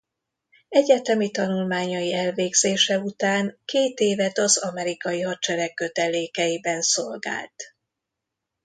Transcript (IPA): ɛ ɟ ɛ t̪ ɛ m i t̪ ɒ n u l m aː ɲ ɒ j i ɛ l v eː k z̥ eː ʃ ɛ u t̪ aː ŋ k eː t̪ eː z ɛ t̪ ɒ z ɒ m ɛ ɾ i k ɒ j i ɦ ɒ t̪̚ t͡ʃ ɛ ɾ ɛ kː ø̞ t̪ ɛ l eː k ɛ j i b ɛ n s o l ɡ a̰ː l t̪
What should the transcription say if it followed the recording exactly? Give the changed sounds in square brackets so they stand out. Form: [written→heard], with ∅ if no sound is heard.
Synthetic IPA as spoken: ɛ ɟ ɛ t̪ ɛ m i t̪ ɒ n u l m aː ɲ ɒ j i ɛ l v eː [k→ɡ] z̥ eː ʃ ɛ u t̪ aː ŋ k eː t̪ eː [z→v] ɛ t̪ ɒ z ɒ m ɛ ɾ i k ɒ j i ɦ ɒ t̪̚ t͡ʃ ɛ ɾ ɛ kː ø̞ t̪ ɛ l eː k ɛ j i b ɛ n s o l ɡ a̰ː l t̪